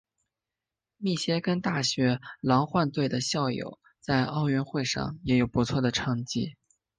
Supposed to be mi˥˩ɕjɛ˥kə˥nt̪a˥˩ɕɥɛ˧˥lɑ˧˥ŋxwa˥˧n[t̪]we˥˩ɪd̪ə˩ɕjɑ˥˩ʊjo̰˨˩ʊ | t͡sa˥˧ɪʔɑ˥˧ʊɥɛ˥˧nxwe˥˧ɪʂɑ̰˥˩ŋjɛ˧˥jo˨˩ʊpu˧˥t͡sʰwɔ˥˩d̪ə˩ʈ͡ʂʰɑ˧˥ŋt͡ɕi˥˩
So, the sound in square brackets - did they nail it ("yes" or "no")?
yes